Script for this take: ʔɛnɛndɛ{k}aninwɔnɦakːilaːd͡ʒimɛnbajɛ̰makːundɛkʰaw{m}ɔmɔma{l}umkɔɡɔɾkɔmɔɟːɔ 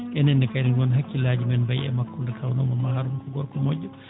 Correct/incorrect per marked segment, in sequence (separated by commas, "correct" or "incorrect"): correct, incorrect, incorrect